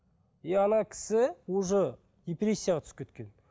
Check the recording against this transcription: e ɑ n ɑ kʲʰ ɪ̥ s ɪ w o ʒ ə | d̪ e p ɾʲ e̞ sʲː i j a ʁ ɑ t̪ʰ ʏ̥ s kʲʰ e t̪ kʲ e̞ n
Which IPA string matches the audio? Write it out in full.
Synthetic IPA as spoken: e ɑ n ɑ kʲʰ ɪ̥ s ɪ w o ʒ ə | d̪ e p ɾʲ e̞ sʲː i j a ʁ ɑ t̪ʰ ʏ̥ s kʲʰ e t̪ kʲ e̞ n